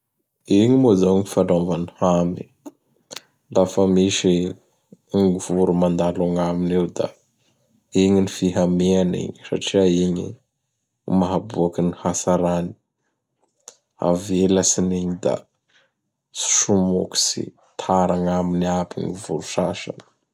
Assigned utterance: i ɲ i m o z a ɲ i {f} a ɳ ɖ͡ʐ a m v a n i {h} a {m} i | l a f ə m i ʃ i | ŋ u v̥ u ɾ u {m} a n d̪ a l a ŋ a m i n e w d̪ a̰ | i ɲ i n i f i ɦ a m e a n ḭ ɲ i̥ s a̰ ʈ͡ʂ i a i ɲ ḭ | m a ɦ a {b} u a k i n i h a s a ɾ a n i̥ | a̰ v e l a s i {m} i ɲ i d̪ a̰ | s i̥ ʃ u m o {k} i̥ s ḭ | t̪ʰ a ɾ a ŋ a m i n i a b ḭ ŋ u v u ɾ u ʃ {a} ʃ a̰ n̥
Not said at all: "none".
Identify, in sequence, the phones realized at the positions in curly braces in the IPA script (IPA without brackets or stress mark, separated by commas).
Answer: f, h, m, m, b, n, k, a